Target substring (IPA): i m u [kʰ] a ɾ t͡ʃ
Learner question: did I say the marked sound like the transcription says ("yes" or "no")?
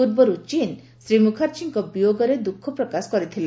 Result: yes